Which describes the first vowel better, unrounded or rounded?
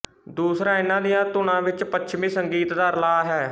rounded